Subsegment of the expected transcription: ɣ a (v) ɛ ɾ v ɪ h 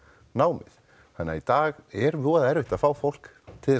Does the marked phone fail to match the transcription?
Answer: yes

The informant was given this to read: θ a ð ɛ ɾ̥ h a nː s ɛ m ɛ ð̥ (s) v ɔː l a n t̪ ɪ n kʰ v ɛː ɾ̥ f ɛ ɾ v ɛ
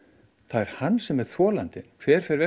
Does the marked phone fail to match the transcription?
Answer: yes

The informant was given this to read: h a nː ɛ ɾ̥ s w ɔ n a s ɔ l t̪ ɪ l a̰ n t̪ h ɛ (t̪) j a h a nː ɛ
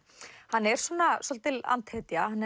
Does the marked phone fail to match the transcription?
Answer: no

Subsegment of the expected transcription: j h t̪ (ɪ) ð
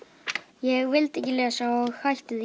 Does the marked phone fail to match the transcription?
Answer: no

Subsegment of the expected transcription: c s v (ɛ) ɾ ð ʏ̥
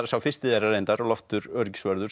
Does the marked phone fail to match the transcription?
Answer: yes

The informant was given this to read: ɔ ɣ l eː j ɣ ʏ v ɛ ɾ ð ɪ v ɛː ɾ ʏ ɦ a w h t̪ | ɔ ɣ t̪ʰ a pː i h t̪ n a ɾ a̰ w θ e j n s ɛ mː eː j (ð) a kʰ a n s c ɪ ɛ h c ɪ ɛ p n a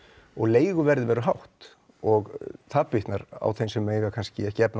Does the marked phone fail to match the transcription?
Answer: yes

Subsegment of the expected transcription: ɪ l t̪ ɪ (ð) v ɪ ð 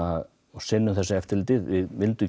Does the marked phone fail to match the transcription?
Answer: no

